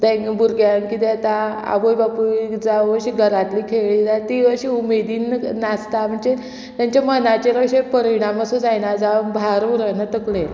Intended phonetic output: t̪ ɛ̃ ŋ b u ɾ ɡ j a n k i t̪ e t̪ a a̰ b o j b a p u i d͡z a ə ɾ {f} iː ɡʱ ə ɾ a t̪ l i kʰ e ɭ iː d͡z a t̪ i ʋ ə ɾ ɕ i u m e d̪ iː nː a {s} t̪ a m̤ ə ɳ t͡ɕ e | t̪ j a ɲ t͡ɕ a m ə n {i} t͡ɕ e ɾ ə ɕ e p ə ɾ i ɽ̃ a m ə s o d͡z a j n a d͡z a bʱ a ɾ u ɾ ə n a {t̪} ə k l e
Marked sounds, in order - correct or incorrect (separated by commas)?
incorrect, correct, incorrect, correct